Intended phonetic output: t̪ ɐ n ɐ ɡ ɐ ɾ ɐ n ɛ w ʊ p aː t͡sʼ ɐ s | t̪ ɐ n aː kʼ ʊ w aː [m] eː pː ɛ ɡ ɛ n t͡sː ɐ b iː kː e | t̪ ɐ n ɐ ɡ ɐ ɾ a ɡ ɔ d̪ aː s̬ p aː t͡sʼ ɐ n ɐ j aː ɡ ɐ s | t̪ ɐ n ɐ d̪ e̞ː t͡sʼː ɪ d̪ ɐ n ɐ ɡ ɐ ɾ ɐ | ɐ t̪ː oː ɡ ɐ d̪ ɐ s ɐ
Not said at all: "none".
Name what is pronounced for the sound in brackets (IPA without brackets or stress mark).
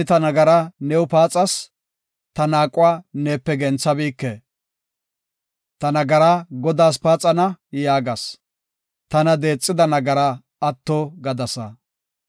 n